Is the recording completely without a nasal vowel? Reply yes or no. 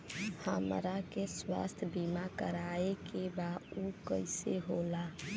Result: yes